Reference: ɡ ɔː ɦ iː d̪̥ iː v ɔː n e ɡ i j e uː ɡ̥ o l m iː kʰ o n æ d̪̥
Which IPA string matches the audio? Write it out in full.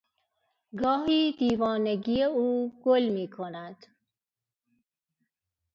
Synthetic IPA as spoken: ɡ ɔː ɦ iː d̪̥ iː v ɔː n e ɡ i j e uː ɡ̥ o l m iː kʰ o n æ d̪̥